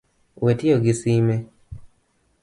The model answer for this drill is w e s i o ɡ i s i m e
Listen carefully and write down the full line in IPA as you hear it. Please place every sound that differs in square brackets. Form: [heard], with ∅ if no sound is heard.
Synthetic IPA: w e [t] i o ɡ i s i m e